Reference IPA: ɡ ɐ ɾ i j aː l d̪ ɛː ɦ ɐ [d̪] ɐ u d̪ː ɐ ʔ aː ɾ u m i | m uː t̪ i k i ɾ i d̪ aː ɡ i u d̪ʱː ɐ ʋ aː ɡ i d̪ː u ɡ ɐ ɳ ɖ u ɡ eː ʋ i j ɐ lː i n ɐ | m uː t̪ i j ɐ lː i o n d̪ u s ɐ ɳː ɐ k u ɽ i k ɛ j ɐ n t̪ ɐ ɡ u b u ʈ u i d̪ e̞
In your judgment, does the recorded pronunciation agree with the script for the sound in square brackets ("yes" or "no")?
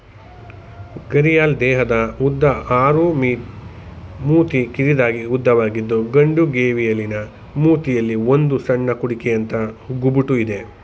yes